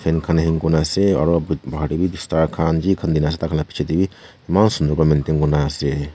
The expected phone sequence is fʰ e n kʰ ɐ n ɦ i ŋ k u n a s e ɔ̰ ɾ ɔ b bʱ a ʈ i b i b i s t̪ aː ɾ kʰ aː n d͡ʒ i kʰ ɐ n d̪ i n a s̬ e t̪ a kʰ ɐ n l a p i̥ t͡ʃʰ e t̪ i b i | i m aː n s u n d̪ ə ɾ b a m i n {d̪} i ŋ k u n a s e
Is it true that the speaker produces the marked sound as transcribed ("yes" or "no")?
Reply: no